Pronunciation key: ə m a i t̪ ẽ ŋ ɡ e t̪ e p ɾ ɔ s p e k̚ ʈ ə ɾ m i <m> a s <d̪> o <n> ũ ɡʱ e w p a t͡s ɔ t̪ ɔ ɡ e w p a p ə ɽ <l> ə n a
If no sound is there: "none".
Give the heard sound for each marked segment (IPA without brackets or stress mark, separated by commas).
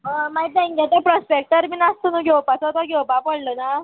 n, t̪, n, l